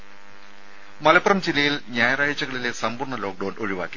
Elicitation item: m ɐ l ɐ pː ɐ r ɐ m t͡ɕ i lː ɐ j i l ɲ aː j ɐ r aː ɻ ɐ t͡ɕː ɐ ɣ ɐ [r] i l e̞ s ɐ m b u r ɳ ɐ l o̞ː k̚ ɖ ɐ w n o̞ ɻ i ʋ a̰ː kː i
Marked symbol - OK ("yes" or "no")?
no